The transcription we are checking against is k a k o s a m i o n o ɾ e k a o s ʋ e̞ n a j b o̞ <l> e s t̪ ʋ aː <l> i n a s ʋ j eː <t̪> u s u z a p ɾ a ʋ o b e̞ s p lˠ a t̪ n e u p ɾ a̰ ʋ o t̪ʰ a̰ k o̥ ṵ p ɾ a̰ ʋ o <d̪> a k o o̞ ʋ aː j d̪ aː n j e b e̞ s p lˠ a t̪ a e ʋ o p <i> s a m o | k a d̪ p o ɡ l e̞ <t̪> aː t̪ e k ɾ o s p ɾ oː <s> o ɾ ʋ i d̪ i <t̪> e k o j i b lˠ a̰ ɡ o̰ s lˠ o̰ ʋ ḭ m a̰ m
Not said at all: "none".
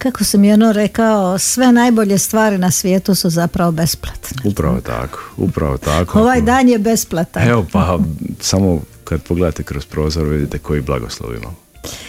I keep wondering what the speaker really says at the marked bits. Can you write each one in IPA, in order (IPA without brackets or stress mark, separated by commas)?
ʎ, ɾ, t̪, t̪, a, d̪, z, t̪